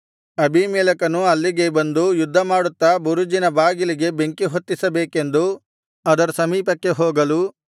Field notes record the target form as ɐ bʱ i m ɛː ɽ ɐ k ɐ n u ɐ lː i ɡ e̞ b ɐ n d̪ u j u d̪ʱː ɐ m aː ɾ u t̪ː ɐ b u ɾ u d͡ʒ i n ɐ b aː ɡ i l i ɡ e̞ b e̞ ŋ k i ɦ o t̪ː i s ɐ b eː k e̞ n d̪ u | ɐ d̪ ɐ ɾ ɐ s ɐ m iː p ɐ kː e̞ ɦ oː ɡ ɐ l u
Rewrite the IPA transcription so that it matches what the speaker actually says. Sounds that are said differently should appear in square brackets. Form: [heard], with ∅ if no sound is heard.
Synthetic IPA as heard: ɐ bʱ i m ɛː [l] ɐ k ɐ n u ɐ lː i ɡ e̞ b ɐ n d̪ u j u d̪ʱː ɐ m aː [ɽ] u t̪ː ɐ b u ɾ u d͡ʒ i n ɐ b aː ɡ i l i ɡ e̞ b e̞ ŋ k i ɦ o t̪ː i s ɐ b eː k e̞ n d̪ u | ɐ d̪ ɐ ɾ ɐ s ɐ m iː p ɐ kː e̞ ɦ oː ɡ ɐ l u